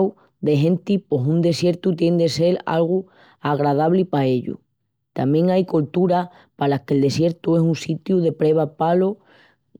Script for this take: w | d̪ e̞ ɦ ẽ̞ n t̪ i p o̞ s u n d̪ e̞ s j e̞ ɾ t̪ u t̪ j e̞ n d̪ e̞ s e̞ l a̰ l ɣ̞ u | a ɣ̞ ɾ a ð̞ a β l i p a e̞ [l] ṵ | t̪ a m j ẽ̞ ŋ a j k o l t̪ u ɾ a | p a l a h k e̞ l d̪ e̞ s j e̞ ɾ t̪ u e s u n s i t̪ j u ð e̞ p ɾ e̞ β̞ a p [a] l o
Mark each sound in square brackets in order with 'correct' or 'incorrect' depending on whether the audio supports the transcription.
incorrect, correct

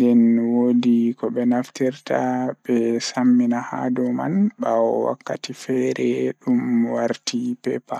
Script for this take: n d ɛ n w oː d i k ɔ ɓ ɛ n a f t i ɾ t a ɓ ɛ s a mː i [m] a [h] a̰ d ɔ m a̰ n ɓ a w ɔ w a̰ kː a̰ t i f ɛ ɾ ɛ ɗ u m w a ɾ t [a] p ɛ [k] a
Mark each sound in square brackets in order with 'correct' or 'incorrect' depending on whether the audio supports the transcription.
incorrect, correct, incorrect, incorrect

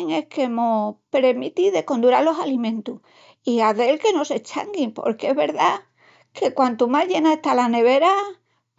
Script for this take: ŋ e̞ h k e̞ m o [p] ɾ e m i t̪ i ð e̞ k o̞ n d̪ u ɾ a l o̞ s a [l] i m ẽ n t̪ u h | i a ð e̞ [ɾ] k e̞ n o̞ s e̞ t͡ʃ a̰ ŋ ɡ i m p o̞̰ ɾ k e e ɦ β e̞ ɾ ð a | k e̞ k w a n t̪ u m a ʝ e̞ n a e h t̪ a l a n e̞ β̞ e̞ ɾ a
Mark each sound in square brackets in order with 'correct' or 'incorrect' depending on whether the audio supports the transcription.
correct, correct, incorrect

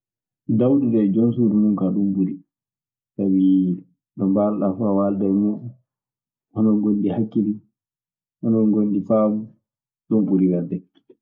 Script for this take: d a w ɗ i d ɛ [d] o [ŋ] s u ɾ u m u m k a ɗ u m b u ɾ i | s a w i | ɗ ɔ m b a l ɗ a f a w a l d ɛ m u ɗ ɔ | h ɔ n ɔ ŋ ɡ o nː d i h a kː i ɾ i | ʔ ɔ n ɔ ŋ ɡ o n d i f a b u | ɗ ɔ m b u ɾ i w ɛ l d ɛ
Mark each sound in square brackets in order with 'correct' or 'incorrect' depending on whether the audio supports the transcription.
incorrect, incorrect

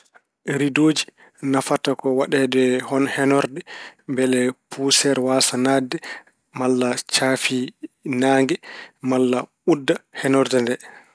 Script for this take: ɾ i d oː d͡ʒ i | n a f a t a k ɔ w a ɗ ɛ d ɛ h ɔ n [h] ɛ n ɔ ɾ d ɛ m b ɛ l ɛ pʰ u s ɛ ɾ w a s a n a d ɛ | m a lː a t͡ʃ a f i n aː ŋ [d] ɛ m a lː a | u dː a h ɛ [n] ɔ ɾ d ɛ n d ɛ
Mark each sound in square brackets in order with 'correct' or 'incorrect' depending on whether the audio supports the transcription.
correct, incorrect, correct

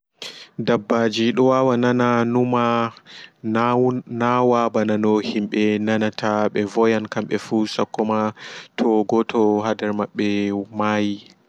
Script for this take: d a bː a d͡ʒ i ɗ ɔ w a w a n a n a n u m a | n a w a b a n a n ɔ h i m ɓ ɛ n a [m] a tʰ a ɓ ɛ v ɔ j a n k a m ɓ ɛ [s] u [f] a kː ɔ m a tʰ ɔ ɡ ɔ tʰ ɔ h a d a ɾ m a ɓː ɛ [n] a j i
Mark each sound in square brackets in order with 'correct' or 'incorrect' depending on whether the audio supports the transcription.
incorrect, incorrect, incorrect, incorrect

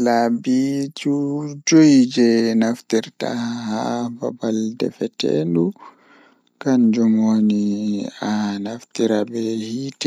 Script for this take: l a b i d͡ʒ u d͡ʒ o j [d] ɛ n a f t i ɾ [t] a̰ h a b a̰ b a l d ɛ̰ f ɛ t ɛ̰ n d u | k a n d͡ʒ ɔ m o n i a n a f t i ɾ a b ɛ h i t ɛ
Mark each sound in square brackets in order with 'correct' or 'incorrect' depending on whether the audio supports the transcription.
incorrect, correct

